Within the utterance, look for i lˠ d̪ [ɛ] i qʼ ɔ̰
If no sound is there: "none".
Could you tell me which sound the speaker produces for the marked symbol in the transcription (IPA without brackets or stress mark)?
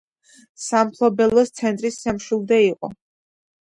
ɛ